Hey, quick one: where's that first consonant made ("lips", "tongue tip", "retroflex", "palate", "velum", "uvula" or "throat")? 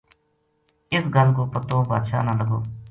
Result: tongue tip